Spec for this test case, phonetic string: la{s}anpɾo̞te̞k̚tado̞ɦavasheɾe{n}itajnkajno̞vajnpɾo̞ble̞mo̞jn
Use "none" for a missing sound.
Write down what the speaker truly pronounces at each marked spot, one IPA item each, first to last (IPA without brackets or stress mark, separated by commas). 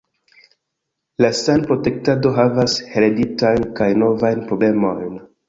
s, d